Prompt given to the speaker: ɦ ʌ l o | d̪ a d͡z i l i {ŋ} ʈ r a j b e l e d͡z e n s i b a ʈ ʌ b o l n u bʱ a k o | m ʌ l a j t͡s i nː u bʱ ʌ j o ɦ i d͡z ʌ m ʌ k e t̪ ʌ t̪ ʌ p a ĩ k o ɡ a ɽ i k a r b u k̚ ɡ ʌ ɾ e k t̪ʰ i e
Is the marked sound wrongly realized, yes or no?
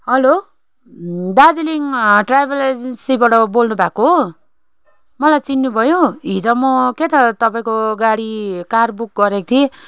no